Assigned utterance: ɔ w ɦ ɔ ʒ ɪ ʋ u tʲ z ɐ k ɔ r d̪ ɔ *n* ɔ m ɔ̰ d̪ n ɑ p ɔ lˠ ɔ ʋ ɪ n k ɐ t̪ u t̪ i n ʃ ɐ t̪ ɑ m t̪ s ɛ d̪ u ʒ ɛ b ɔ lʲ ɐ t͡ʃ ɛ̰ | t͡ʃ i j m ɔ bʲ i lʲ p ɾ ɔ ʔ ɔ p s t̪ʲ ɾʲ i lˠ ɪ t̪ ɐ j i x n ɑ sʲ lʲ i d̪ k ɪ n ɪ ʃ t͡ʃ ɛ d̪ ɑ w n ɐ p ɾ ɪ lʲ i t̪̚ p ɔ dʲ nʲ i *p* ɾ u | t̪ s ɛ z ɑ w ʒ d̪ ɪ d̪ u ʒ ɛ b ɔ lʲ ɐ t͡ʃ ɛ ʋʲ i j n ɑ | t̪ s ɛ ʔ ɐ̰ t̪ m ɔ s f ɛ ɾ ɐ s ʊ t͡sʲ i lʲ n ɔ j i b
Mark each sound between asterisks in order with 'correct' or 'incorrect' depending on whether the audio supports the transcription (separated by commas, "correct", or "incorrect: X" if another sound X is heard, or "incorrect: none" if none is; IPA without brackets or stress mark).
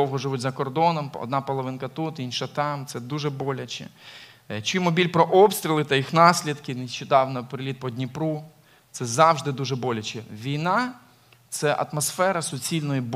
correct, correct